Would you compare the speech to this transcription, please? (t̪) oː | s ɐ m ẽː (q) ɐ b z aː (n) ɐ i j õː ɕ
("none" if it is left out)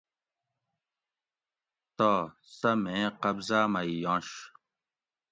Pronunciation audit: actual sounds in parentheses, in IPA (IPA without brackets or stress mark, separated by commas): t̪, q, m